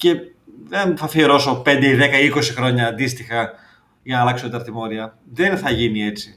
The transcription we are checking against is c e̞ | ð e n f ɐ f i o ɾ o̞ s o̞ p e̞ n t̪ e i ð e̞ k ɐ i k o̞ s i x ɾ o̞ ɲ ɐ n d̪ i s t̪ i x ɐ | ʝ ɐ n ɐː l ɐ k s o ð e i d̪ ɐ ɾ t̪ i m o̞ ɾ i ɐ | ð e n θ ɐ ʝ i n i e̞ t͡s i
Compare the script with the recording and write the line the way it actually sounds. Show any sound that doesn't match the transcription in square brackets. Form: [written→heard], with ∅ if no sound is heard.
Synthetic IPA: c e̞ | ð e n [f→θ] ɐ f i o ɾ o̞ s o̞ p e̞ n [t̪→d̪] e i ð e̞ k ɐ i k o̞ s i x ɾ o̞ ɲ [ɐ→ɐː] n d̪ i s t̪ i x ɐ | ʝ ɐ n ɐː l ɐ k s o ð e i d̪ ɐ ɾ t̪ i m o̞ ɾ i ɐ | ð e n θ ɐ ʝ i n i e̞ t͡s i